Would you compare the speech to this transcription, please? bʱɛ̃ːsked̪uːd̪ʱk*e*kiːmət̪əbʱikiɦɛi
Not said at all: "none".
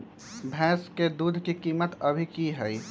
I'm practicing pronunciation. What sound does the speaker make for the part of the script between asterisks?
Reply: i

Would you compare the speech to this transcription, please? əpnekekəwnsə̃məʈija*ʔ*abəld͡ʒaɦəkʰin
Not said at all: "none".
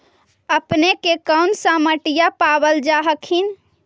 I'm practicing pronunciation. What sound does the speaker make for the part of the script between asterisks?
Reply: p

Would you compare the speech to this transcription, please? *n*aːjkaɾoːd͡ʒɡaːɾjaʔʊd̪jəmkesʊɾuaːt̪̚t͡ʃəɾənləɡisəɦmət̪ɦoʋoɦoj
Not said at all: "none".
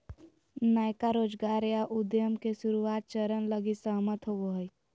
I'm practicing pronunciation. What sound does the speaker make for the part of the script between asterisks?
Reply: n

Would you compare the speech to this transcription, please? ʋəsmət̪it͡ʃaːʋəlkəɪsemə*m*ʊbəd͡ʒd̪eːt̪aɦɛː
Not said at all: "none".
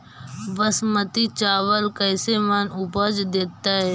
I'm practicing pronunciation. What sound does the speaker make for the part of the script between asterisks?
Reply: n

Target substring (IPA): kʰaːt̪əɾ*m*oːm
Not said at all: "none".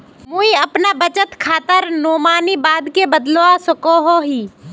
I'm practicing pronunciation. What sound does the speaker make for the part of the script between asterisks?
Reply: n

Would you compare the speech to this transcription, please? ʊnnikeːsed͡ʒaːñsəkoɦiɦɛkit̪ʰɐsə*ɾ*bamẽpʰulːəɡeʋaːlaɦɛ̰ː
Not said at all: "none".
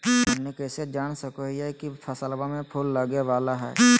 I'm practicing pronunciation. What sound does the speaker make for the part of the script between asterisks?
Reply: l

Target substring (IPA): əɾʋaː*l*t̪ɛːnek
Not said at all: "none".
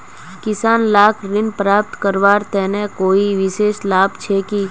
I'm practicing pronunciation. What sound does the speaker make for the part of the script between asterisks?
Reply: ɾ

